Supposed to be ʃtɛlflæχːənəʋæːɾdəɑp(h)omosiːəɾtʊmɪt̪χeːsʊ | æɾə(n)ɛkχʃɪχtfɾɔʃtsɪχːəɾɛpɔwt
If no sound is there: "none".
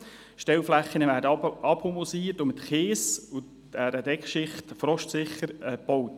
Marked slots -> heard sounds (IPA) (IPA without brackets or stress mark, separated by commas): h, d